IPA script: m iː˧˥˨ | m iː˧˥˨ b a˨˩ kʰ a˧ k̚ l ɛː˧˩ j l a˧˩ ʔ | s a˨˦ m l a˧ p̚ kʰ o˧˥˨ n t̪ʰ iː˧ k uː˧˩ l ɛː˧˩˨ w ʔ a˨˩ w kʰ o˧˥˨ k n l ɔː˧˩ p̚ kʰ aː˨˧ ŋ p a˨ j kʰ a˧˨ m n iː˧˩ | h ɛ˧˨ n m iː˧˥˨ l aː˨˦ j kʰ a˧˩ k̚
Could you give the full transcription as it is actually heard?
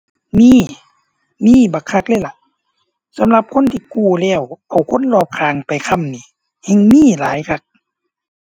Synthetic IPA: m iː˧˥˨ | m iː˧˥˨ b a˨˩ kʰ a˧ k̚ l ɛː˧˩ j l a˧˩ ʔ | s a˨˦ m l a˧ p̚ kʰ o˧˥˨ n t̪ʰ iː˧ k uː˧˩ l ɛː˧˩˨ w ʔ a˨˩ w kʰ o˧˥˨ n l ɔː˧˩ p̚ kʰ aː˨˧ ŋ p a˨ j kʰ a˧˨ m n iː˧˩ | h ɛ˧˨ ŋ m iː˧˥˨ l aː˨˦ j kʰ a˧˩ k̚